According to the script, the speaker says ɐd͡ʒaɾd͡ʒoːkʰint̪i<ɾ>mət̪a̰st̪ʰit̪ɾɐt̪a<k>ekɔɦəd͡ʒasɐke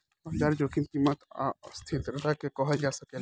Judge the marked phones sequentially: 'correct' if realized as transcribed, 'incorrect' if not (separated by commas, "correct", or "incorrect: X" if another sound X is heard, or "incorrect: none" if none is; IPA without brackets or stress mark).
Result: incorrect: none, correct